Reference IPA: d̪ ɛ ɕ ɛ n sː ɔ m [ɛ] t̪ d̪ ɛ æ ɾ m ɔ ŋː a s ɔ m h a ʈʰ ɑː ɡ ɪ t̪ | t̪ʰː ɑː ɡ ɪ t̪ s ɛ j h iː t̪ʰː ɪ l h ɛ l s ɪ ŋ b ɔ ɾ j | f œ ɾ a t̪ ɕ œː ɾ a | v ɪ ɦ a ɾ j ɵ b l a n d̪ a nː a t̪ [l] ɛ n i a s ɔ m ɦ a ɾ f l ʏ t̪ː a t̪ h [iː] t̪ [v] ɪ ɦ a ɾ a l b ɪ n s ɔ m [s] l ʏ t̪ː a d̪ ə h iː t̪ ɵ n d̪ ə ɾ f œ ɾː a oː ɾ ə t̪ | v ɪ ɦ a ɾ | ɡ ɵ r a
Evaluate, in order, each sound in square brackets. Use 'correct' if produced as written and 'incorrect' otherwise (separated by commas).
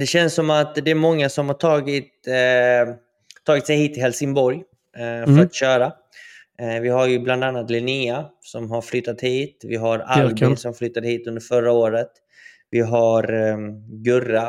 incorrect, correct, correct, correct, incorrect